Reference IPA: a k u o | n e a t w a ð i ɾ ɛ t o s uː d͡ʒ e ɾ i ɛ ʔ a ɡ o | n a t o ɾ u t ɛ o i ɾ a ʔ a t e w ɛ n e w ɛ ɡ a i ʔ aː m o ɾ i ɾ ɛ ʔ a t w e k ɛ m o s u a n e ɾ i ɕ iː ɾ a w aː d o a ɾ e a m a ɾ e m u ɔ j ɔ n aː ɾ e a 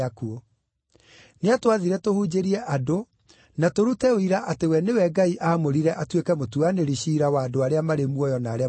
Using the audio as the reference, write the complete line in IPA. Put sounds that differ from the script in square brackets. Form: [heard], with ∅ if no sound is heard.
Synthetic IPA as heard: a k u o | n e a t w a ð i ɾ ɛ t o [h] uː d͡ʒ e ɾ i ɛ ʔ a [d] o | n a t o ɾ u t ɛ o i ɾ a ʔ a t e w ɛ n e w ɛ ɡ a i ʔ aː m o ɾ i ɾ ɛ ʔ a t w e k ɛ m o [t] u a n e ɾ i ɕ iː ɾ a w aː d o a ɾ e a m a ɾ e m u ɔ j ɔ n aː ɾ e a